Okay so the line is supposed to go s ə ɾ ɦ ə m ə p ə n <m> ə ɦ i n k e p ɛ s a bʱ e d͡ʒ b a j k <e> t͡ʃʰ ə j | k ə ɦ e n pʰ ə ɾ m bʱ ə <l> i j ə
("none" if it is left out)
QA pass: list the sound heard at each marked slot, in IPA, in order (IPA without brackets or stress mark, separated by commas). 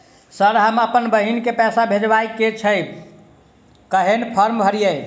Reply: b, e, ɾ